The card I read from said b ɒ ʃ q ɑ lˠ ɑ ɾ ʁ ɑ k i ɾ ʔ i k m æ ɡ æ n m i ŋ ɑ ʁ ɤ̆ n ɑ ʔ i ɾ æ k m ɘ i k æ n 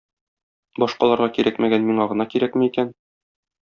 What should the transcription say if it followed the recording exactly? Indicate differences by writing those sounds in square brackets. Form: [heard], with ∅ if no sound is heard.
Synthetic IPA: b ɒ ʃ q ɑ lˠ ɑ ɾ ʁ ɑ k i ɾ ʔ [æ] k m æ ɡ æ n m i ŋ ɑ ʁ ɤ̆ n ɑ [k] i ɾ æ k m ɘ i k æ n

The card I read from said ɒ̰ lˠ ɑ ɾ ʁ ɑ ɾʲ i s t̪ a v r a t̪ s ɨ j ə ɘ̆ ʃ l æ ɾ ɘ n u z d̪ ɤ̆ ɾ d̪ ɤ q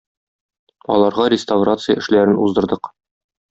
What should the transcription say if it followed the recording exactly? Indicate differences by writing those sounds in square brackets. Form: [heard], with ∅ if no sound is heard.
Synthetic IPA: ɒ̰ lˠ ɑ ɾ ʁ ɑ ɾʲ [ɪ] s t̪ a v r a t̪ s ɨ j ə ɘ̆ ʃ l æ ɾ ɘ n u z d̪ ɤ̆ ɾ d̪ ɤ q

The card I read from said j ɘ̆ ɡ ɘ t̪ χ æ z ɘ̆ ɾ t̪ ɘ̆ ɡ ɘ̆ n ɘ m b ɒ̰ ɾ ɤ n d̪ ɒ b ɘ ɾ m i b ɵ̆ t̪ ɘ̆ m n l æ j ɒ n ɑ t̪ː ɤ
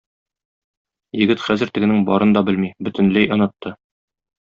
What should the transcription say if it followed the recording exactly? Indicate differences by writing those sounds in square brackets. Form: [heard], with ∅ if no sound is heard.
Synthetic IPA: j ɘ̆ ɡ ɘ t̪ χ æ z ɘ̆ ɾ t̪ ɘ̆ ɡ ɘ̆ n ɘ [ŋ] b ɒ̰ ɾ ɤ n d̪ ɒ b ɘ [l] m i b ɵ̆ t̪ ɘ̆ [∅] n l æ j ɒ n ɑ t̪ː ɤ

